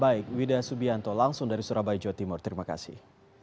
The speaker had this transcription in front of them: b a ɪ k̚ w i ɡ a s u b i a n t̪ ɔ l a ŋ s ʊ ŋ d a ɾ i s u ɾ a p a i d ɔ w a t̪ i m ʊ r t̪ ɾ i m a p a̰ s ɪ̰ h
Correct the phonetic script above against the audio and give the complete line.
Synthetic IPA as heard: b a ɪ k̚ w i d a s u b i a n t̪ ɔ l a ŋ s ʊ ŋ d a ɾ i s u ɾ a b a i d͡ʒ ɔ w a t̪ i m ʊ r t̪ ɾ i m a k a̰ s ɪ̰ h